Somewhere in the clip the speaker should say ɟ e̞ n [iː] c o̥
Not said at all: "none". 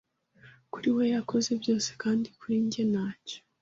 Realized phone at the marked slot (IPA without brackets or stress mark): aː